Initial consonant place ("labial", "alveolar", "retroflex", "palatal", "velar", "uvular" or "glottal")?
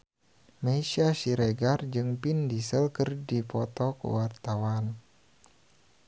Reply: labial